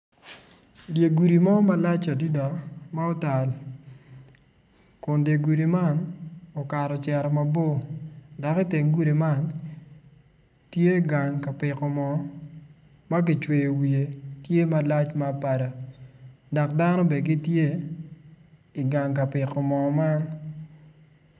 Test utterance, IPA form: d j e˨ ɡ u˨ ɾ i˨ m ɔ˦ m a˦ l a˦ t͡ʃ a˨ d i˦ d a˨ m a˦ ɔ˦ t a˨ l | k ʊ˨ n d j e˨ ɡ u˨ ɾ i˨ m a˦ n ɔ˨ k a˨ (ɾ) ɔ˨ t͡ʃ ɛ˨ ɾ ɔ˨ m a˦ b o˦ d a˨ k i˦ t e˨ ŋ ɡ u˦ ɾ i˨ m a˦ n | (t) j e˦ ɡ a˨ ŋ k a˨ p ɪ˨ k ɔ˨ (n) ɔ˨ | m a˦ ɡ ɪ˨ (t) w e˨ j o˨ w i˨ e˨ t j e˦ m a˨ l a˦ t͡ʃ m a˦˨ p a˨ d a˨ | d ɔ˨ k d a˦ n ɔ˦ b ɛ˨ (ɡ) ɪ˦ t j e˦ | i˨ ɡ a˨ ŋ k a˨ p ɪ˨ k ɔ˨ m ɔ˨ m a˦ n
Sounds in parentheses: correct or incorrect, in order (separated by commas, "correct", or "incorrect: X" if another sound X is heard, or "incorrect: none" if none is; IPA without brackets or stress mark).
correct, correct, incorrect: m, incorrect: t͡ʃ, correct